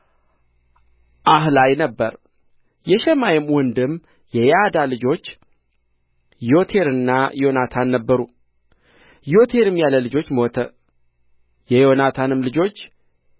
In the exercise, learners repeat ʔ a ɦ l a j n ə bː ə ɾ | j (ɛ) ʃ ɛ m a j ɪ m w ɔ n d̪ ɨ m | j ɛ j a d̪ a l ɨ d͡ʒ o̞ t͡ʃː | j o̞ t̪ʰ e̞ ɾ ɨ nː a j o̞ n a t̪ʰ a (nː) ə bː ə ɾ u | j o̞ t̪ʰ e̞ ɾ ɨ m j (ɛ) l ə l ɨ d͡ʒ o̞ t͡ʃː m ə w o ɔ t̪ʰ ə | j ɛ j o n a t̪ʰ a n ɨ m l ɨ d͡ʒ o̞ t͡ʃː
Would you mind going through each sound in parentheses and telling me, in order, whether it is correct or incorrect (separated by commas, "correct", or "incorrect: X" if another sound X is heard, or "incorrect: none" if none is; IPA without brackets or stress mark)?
correct, correct, incorrect: a